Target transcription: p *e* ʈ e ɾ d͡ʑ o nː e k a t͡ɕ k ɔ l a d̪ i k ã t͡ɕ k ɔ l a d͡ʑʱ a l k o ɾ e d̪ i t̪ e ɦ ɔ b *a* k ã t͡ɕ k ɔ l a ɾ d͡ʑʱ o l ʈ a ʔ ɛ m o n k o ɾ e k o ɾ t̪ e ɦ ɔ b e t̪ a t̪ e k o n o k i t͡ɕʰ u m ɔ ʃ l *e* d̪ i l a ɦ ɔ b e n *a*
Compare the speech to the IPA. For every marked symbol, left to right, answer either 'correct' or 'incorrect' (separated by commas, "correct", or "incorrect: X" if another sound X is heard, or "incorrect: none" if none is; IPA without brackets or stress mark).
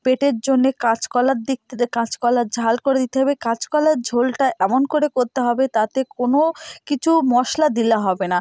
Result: correct, incorrect: e, incorrect: a, correct